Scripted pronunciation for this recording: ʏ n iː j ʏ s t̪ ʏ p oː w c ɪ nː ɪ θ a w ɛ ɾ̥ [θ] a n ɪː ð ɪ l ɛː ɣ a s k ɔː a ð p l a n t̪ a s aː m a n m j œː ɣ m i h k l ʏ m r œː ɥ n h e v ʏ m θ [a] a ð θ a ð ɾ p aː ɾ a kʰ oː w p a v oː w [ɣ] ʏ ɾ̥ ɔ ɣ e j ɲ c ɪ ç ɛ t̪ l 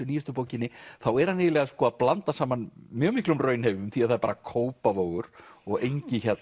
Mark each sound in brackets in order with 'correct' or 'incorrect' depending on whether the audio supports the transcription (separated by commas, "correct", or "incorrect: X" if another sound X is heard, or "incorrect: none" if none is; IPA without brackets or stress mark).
incorrect: h, incorrect: i, correct